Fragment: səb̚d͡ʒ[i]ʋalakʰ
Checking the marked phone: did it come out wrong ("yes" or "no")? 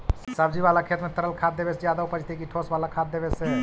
no